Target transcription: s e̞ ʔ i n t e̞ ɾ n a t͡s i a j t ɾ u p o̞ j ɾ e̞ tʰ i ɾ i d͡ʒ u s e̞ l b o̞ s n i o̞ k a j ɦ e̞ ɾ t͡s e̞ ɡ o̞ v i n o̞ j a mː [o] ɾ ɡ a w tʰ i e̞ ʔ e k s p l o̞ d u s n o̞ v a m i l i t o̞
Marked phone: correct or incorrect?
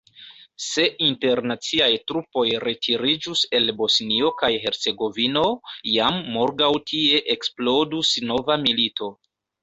correct